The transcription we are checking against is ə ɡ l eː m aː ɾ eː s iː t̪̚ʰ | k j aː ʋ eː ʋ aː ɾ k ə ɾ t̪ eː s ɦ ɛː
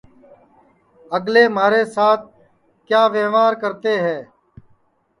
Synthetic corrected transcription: ə ɡ l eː m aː ɾ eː s aː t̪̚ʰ | k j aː ʋ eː ʋ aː ɾ k ə ɾ t̪ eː ɦ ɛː